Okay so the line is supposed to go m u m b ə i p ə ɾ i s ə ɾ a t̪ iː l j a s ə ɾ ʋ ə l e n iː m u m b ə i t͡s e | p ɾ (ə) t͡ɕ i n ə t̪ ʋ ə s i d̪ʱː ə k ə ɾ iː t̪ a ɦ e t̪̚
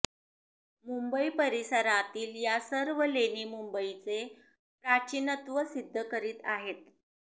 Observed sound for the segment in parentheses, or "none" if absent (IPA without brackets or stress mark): a